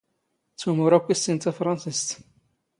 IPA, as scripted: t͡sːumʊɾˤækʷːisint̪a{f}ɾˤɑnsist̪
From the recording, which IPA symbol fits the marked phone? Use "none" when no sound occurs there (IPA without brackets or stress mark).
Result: f